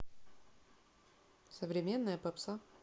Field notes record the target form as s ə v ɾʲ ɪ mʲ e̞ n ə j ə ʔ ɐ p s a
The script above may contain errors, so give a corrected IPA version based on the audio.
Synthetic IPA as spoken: s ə v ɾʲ ɪ mʲ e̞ nː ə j ə p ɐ p s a